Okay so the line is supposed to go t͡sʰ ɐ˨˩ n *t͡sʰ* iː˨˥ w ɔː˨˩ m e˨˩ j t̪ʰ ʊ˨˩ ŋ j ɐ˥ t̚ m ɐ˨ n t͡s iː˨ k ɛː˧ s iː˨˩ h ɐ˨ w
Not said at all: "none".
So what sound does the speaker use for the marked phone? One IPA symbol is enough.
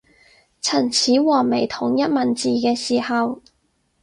t͡sʰ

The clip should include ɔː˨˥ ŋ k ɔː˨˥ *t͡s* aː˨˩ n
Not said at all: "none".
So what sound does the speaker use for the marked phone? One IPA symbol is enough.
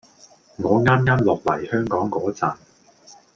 t͡s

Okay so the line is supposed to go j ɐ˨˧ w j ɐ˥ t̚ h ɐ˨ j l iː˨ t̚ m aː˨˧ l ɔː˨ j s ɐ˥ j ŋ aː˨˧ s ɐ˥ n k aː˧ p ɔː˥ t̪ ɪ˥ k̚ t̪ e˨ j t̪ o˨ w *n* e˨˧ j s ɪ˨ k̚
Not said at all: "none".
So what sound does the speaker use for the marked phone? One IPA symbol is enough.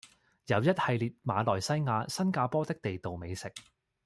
m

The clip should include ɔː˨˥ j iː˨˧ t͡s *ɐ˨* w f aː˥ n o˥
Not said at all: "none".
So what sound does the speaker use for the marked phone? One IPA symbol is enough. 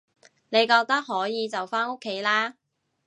ɐ˨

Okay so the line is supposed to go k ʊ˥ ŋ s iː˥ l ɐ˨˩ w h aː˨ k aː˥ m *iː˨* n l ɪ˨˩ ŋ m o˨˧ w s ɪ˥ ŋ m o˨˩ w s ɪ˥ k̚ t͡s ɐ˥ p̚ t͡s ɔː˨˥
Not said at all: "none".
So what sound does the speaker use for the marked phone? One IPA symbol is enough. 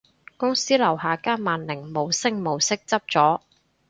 aː˨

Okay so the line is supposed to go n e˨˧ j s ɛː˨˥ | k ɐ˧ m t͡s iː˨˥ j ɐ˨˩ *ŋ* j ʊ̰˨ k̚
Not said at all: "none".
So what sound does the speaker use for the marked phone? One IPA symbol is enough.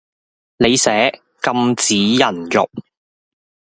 n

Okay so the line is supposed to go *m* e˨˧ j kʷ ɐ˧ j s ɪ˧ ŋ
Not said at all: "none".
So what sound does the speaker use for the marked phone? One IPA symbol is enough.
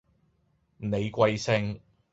n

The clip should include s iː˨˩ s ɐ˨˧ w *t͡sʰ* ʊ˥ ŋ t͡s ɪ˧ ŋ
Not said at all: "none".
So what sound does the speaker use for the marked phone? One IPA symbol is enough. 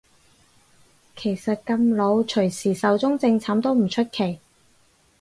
t͡s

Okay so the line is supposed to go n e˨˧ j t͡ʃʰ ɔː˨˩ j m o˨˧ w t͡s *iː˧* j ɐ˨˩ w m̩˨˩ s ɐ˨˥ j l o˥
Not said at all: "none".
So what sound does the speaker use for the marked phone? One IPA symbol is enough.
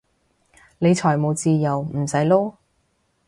iː˧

